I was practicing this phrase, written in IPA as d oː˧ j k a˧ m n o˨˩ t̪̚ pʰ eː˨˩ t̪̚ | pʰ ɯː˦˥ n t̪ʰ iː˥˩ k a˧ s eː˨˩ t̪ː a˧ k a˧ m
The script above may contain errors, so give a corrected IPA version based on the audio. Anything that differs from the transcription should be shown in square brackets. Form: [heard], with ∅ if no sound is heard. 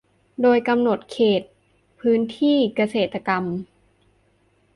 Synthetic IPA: d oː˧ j k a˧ m n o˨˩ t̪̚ [kʰ] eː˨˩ t̪̚ | pʰ ɯː˦˥ n t̪ʰ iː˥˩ k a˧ s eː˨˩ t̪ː a˧ k a˧ m